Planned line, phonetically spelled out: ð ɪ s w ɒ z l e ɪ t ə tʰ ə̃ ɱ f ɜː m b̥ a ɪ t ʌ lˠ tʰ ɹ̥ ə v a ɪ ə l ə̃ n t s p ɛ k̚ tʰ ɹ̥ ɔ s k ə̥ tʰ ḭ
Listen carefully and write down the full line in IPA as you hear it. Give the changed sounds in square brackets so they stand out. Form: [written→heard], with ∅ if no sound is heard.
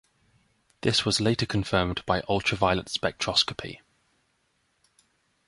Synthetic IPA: ð ɪ s w ɒ z l e ɪ t ə [tʰ→kʰ] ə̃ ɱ f ɜː m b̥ a ɪ [t→ʔ] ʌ lˠ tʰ ɹ̥ ə v a ɪ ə l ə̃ n t s p ɛ k̚ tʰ ɹ̥ [ɔ→ɒ] s k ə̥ [tʰ→pʰ] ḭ